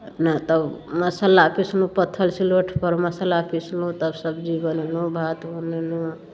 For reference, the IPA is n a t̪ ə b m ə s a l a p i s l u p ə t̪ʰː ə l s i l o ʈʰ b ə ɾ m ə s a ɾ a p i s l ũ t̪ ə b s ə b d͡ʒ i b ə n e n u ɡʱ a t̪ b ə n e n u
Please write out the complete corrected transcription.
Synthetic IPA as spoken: n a t̪ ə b m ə s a l a p i s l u p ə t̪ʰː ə l s i l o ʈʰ p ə ɾ m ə s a l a p i s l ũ t̪ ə b s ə b d͡ʒ i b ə n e n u bʱ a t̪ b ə n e n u